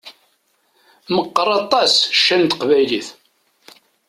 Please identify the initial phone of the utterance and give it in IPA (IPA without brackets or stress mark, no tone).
m